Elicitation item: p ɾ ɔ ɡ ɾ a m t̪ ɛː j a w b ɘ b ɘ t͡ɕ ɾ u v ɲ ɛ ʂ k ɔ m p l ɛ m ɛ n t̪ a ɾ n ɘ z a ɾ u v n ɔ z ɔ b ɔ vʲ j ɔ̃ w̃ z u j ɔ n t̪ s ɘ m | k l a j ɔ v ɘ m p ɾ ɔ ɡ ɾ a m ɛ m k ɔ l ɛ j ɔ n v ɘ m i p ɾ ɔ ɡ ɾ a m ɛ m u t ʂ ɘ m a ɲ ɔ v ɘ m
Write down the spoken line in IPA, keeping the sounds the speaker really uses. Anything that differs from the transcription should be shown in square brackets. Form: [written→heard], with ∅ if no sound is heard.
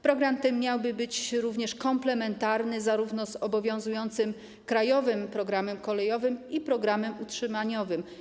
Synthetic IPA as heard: p ɾ ɔ ɡ ɾ a m t̪ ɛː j a w b ɘ b ɘ t͡ɕ ɾ u v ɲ ɛ ʂ k ɔ m p l ɛ m ɛ n t̪ a ɾ n ɘ z a ɾ u v n ɔ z ɔ b ɔ vʲ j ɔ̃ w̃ z u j ɔ n t̪ s ɘ m | k [l→ɾ] a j ɔ v ɘ m p ɾ ɔ ɡ ɾ a m ɛ m k ɔ l ɛ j ɔ [n→∅] v ɘ m i p ɾ ɔ ɡ ɾ a m ɛ m u t ʂ ɘ m a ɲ ɔ v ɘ m